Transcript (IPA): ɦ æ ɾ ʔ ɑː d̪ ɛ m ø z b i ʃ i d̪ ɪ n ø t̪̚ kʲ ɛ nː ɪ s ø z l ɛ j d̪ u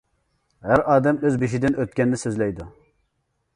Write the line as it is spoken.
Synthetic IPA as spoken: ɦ æ ɾ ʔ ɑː d̪ ɛ m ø z b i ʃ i d̪ ɪ n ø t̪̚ kʲ ɛ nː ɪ s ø z l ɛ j d̪ u